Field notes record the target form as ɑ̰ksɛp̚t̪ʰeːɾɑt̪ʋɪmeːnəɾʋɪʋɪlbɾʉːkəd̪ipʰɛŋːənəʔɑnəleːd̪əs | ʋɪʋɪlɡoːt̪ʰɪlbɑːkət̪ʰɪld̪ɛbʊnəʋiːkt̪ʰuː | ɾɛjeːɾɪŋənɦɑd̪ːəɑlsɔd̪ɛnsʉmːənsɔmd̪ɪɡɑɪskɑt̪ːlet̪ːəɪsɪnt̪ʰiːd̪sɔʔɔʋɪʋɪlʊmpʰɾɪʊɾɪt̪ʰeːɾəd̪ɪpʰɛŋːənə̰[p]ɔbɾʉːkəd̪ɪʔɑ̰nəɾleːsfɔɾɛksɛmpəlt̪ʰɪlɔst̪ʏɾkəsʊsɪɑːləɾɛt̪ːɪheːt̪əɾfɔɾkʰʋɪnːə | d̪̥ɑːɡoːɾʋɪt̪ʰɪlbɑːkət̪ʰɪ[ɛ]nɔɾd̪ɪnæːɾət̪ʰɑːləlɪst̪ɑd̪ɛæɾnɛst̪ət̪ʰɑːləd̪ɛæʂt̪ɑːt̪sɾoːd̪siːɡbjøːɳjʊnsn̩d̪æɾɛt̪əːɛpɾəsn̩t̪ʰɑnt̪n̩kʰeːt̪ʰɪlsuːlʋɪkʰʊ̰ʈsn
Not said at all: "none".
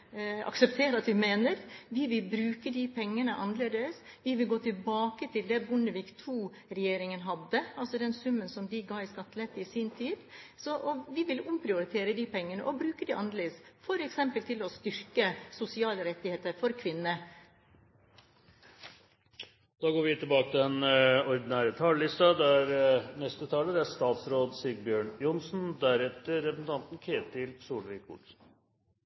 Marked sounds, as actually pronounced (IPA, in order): ʔ, ɛ

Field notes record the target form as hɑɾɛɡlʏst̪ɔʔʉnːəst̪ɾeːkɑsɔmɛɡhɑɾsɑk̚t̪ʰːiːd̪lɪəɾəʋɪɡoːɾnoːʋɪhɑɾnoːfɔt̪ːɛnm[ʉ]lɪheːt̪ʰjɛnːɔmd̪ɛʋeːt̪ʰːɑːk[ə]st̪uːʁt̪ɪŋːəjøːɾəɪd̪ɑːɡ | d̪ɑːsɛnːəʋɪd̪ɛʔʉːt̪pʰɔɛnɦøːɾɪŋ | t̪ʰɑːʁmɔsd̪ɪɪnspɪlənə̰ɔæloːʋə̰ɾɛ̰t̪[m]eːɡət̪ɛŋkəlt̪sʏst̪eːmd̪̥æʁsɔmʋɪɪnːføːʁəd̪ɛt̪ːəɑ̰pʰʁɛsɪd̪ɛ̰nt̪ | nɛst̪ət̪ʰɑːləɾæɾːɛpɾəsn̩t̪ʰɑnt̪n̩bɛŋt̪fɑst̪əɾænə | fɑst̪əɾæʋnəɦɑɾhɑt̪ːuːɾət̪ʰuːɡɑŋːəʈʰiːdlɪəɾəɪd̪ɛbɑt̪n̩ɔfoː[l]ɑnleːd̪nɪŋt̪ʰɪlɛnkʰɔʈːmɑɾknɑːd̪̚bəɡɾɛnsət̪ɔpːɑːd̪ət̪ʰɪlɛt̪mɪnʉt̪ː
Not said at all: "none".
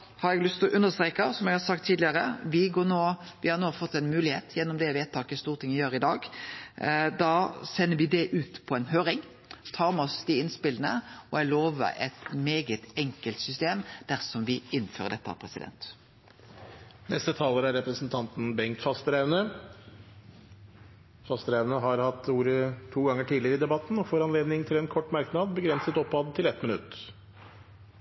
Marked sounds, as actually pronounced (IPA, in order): ʉː, ə, m, ɾ

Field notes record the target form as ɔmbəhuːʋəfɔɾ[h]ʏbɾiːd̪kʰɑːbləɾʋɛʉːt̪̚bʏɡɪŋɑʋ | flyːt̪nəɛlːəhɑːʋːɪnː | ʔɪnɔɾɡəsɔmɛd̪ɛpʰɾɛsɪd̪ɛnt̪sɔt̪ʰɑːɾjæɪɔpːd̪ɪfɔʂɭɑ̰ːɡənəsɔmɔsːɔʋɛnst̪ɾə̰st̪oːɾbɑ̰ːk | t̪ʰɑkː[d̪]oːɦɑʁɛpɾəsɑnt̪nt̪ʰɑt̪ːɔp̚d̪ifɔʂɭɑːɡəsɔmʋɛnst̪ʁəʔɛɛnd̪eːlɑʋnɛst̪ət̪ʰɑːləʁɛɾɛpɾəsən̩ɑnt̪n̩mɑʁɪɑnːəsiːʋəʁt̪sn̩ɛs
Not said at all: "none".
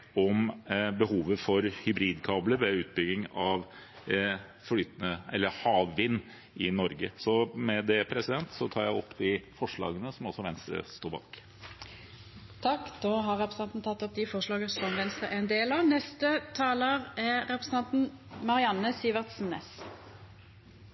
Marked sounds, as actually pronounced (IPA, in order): h, d̪

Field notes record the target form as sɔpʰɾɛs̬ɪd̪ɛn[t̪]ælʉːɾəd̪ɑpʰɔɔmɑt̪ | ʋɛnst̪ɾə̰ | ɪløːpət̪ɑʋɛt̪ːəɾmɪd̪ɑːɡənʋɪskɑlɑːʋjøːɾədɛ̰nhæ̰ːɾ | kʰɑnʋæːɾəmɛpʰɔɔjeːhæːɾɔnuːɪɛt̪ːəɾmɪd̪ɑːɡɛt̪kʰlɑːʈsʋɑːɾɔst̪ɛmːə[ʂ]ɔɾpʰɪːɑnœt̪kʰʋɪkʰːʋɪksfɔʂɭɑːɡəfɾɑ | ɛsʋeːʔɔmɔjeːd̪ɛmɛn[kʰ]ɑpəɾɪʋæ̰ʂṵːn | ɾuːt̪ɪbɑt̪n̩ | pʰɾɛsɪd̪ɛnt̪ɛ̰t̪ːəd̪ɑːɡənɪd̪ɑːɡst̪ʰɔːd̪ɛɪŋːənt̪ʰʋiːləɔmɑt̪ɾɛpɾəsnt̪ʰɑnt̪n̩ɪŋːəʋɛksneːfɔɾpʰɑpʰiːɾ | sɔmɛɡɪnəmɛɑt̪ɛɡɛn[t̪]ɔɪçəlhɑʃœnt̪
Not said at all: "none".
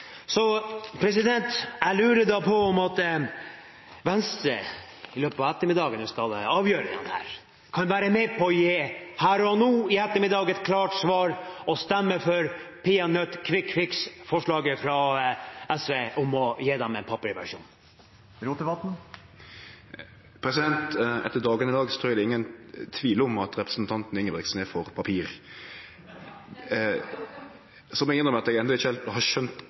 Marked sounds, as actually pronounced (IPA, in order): t̪, f, pʰ, d̪

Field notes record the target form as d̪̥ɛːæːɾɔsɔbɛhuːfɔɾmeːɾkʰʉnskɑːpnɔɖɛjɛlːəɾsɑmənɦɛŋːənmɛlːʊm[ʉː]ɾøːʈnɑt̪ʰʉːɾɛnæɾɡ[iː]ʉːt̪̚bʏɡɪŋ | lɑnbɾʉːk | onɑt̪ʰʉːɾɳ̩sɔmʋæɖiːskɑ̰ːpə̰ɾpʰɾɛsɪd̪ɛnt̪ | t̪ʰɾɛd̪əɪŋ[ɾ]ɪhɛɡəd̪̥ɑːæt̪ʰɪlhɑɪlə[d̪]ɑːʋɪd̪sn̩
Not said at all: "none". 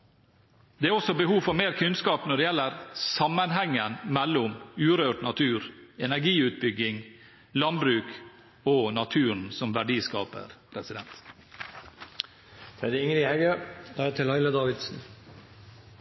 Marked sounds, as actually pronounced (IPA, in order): ʉː, iː, ɾ, d̪

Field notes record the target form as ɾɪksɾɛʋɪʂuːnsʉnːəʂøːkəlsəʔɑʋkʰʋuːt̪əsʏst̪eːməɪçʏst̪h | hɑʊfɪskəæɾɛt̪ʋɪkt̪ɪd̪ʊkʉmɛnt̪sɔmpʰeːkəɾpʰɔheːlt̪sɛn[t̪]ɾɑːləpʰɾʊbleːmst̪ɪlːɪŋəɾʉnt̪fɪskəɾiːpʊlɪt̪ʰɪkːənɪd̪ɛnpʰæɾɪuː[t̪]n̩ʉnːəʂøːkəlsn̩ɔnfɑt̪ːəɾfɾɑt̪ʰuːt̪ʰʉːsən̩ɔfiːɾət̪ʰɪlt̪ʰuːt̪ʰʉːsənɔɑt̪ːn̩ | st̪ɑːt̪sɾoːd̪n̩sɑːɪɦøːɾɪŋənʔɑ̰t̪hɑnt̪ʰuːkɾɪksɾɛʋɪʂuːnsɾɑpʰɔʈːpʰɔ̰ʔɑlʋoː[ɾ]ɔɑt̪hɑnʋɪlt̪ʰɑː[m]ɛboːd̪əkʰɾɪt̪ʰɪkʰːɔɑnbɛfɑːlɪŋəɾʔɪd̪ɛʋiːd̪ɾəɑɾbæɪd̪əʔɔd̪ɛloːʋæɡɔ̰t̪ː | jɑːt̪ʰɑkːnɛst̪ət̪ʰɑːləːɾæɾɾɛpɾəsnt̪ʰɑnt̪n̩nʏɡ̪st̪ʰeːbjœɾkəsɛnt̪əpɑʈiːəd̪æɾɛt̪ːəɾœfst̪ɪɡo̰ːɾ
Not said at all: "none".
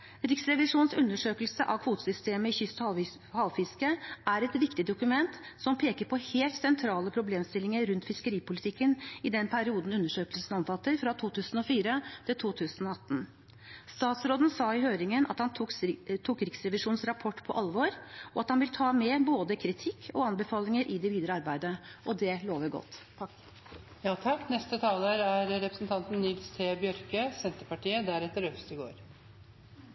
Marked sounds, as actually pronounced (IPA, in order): t̪ʰ, d̪, ɾ, m

